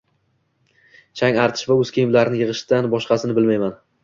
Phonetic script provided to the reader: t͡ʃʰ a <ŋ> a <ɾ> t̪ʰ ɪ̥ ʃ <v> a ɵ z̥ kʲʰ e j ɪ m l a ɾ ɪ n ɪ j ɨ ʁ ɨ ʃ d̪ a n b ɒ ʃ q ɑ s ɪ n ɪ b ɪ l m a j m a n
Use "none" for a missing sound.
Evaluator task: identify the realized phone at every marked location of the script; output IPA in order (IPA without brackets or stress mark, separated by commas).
ŋ, ɾ, v